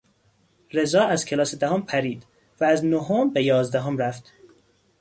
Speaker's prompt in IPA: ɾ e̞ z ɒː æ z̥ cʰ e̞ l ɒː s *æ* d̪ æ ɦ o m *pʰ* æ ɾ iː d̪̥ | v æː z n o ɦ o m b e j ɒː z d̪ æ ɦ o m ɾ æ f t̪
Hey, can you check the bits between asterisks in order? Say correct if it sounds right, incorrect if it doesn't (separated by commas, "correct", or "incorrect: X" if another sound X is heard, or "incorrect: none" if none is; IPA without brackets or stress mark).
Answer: incorrect: e, correct